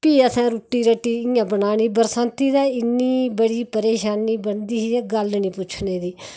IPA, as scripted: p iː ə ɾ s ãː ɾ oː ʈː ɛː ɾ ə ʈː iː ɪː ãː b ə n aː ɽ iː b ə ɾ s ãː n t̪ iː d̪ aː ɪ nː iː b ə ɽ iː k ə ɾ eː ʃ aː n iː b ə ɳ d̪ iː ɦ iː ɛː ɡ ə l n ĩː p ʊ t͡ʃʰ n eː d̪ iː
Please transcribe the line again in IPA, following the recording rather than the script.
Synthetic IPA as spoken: p iː ə s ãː ɾ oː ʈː iː ɾ ə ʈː iː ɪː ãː b ə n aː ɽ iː b ə ɾ s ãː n t̪ iː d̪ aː ɪ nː iː b ə ɽ iː p ə ɾ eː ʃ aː n iː b ə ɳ d̪ iː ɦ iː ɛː ɡ ə l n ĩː p ʊ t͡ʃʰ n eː d̪ iː